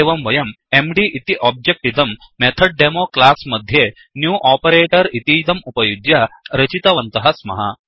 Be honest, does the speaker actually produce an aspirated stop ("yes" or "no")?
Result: yes